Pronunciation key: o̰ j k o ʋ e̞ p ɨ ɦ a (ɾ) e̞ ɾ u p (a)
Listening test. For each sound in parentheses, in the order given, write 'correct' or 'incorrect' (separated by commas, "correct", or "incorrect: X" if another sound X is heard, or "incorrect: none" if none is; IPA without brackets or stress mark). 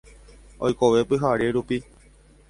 correct, incorrect: i